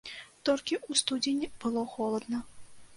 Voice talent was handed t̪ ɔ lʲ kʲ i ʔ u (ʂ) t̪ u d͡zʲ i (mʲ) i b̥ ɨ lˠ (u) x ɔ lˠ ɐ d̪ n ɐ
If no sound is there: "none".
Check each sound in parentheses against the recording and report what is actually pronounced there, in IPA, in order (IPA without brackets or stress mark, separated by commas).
s, nʲ, ɔ